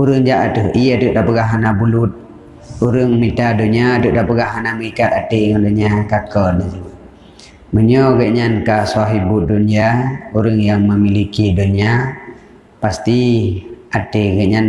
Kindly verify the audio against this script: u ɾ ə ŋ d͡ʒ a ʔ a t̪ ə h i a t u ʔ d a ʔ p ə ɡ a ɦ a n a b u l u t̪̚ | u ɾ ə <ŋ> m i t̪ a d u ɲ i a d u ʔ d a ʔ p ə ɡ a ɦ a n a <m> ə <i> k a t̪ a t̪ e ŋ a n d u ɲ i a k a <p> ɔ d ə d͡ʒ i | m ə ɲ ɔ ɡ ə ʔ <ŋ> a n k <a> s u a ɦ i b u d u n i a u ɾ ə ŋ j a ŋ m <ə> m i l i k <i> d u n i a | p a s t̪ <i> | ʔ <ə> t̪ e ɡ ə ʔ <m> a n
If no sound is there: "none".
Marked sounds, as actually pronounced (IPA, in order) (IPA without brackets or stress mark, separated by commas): ŋ, m, i, k, ɲ, a, ə, i, i, a, ɲ